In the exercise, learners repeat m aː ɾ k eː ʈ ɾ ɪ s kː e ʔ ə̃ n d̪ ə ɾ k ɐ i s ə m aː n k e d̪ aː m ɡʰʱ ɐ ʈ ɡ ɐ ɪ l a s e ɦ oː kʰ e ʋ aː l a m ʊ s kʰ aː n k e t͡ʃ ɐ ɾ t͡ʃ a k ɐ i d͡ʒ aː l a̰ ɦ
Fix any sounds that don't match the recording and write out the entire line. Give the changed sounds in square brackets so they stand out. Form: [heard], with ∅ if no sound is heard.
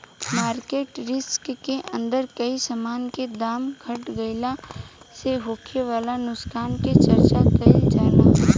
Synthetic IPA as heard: m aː ɾ k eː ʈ ɾ ɪ s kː e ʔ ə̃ n d̪ ə ɾ k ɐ i s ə m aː n k e d̪ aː m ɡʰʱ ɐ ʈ ɡ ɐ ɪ l a s e ɦ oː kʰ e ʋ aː l a [n] ʊ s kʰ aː n k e t͡ʃ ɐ ɾ t͡ʃ a k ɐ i d͡ʒ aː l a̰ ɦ